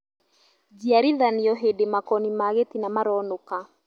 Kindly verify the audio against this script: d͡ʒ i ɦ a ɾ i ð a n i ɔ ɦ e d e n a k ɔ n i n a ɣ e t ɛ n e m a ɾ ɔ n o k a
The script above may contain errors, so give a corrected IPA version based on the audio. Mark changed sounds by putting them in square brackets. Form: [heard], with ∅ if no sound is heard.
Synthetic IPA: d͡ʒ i [∅] a ɾ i ð a n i ɔ ɦ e d e [m] a k ɔ n i [m] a ɣ e t [i] n [a] m a ɾ ɔ n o k a

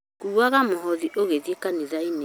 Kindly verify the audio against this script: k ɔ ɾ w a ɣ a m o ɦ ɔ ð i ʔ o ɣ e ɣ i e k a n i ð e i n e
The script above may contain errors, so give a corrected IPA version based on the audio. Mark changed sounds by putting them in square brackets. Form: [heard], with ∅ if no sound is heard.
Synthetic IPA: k [u] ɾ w a ɣ a m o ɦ ɔ ð i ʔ o ɣ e [ð] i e k a n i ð [a] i n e

